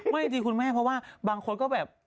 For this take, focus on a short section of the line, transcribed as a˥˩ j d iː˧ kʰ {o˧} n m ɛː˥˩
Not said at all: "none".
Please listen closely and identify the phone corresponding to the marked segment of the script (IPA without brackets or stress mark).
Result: u˧